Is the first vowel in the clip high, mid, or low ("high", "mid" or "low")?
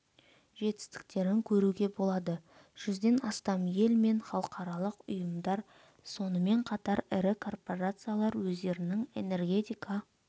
mid